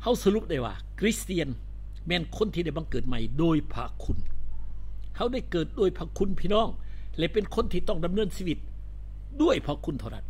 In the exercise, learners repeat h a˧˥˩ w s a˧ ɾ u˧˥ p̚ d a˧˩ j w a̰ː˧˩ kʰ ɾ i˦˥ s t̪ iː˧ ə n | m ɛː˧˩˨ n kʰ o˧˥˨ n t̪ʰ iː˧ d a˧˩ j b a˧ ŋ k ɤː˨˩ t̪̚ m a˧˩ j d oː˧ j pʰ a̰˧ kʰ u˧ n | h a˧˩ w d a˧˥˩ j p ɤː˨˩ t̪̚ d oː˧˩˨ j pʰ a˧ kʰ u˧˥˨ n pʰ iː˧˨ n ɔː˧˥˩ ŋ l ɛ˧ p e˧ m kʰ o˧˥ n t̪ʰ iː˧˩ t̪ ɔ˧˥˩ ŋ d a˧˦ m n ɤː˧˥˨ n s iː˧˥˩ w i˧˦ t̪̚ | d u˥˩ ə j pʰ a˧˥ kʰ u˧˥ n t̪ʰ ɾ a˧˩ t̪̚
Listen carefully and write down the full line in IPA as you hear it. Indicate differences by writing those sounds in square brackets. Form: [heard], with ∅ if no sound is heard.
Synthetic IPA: h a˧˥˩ w s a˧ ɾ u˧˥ p̚ d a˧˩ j w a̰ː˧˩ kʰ ɾ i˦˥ s t̪ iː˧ ə n | m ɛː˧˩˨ n kʰ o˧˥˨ n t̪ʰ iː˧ d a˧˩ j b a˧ ŋ k ɤː˨˩ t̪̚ m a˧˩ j d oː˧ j pʰ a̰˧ kʰ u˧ n | h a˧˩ w d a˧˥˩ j [k] ɤː˨˩ t̪̚ d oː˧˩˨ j pʰ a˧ kʰ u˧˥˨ n pʰ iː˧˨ n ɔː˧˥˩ ŋ l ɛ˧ p e˧ [n] kʰ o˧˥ n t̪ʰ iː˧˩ t̪ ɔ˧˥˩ ŋ d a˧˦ m n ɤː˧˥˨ n s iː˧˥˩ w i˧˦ t̪̚ | d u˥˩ ə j pʰ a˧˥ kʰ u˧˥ n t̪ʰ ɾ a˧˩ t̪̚